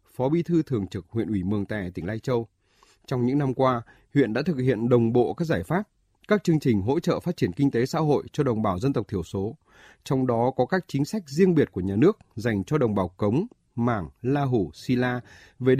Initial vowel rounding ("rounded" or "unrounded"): rounded